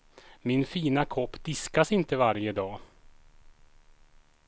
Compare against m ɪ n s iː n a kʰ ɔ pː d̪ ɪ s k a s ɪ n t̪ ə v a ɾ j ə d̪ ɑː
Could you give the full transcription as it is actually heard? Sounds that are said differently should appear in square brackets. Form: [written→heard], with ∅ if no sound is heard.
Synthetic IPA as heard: m ɪ n [s→f] iː n a kʰ ɔ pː d̪ ɪ s k a s ɪ n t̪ ə v a ɾ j ə d̪ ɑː